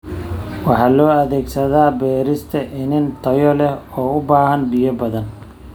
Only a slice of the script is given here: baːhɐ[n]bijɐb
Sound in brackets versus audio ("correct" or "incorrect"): correct